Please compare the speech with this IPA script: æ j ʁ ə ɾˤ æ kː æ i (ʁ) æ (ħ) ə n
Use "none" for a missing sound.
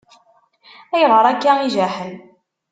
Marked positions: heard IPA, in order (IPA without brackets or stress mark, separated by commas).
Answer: ʒ, ħ